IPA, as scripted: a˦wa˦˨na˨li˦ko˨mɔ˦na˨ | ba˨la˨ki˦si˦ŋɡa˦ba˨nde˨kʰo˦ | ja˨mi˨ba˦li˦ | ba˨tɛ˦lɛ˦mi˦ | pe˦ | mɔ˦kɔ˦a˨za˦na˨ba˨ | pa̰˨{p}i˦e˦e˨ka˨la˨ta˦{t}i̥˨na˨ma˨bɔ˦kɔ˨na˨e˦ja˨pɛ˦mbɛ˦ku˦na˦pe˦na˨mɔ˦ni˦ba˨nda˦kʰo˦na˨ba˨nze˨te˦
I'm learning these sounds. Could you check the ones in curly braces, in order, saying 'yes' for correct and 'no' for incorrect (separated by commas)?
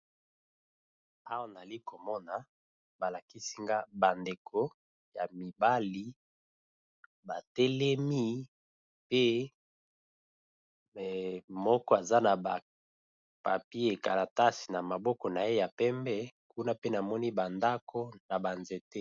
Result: yes, no